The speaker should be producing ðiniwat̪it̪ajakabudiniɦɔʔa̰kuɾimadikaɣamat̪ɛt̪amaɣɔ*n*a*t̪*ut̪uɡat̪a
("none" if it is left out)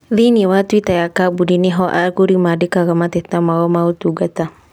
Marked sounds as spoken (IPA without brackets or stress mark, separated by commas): m, none